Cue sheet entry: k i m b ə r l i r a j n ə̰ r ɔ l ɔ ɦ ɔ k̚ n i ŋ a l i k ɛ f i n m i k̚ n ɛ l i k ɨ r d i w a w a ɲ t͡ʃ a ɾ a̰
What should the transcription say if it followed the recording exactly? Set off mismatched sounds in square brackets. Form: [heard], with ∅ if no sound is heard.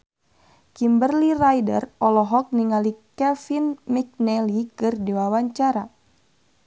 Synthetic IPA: k i m b ə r l i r a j [d] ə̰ r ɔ l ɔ ɦ ɔ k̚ n i ŋ a l i k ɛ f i n m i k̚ n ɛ l i k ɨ r d i w a w a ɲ t͡ʃ a ɾ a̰